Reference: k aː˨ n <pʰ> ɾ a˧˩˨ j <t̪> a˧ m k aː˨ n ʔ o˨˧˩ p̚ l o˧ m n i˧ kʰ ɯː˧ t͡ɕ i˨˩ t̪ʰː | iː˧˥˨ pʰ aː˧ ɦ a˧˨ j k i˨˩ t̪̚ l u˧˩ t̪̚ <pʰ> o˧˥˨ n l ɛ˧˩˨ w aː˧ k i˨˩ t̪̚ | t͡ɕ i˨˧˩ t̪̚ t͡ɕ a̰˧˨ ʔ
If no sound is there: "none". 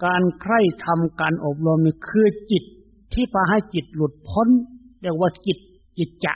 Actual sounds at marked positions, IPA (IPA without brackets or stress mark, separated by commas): kʰ, t̪ʰ, pʰ